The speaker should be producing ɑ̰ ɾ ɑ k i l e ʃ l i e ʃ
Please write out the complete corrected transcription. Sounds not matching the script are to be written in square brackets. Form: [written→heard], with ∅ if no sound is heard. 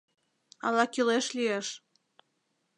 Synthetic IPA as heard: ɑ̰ [ɾ→l] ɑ k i l e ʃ l i e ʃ